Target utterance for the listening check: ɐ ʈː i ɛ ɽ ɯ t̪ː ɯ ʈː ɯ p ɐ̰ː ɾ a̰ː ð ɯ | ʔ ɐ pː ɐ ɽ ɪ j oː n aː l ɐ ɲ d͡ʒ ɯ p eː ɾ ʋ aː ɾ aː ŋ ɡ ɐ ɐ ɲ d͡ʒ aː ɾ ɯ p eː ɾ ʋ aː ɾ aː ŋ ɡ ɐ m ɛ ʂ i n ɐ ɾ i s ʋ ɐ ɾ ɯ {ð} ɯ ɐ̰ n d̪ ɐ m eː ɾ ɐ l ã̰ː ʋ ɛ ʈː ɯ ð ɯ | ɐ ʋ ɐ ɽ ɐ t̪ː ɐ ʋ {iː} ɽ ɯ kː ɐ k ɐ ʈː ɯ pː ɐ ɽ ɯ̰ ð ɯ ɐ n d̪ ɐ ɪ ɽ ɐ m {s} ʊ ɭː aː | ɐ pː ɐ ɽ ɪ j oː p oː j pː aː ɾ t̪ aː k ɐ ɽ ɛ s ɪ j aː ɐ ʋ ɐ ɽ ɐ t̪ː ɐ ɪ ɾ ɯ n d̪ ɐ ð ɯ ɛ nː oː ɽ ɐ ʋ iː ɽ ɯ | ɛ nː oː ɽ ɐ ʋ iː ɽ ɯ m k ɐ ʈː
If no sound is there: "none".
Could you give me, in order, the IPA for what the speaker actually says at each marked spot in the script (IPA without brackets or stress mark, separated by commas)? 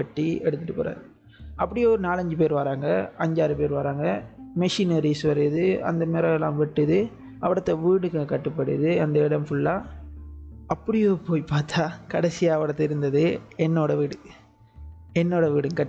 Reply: ð, iː, f